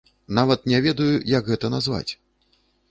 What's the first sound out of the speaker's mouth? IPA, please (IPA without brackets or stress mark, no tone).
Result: n